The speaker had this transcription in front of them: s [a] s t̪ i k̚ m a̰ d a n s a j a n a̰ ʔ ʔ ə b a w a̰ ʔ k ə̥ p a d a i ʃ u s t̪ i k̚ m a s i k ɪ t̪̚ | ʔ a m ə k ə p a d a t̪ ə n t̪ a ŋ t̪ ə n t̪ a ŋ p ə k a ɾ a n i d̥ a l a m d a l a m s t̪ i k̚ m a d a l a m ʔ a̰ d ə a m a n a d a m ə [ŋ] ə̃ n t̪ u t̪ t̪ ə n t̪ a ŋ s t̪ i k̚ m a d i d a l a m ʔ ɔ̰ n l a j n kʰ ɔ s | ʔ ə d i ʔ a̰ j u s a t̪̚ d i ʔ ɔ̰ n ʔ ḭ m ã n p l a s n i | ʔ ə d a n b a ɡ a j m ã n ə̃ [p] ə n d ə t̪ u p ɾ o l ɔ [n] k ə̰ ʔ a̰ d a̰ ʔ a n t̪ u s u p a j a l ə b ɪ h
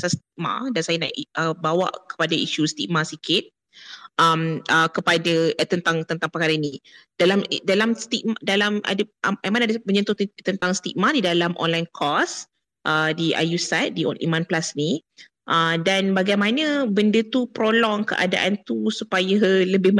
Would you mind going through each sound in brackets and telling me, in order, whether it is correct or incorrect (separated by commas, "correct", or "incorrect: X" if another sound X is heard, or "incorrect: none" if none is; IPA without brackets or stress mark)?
correct, incorrect: ɲ, incorrect: b, incorrect: ŋ